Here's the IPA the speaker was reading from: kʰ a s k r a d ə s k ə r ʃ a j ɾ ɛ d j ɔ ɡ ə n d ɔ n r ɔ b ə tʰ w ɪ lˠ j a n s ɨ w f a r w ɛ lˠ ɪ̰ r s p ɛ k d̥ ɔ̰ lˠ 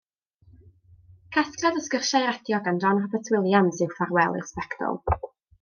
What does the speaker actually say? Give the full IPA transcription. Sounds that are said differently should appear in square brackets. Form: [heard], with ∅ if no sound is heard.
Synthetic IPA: kʰ a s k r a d ə s k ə r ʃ a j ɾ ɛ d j ɔ ɡ [a] n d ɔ n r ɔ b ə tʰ w ɪ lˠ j a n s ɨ w f a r w ɛ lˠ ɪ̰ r s p ɛ k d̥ ɔ̰ lˠ